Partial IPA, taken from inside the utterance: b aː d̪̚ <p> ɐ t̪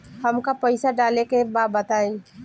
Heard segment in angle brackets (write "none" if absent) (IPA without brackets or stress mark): b